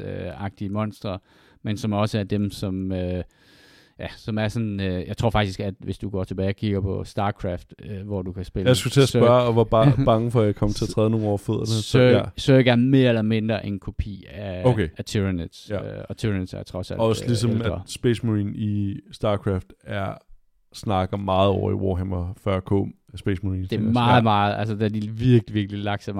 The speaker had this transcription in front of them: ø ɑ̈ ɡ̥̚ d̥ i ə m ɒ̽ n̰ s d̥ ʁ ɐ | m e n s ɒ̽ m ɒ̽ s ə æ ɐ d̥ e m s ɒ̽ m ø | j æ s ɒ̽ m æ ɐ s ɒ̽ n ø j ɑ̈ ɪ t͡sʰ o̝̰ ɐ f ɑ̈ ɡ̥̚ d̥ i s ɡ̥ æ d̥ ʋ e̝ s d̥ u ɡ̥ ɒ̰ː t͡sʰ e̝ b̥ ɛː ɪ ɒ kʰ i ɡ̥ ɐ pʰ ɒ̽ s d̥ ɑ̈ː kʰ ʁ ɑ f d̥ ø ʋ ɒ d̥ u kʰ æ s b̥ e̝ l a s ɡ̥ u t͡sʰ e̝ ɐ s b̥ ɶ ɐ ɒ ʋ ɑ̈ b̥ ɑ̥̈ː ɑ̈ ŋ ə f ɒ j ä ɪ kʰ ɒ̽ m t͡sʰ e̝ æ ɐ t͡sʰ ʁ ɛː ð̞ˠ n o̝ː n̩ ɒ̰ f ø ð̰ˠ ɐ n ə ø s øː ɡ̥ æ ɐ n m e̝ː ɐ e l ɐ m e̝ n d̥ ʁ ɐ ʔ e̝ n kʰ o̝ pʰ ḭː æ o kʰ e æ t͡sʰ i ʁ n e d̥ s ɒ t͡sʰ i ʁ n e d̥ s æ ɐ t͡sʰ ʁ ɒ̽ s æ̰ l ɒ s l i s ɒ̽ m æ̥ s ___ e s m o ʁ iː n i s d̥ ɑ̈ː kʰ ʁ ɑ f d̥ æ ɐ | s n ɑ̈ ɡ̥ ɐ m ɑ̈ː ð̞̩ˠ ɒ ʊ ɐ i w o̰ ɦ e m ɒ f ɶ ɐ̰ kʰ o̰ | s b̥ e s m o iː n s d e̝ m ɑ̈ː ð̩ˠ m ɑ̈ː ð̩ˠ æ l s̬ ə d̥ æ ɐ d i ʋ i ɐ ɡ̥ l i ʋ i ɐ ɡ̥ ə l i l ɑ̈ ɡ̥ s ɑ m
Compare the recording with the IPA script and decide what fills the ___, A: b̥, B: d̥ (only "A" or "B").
A